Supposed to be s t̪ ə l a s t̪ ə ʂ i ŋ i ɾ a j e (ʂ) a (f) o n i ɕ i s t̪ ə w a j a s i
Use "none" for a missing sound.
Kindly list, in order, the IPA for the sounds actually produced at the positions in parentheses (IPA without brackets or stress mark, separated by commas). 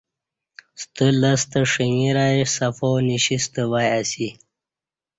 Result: s, f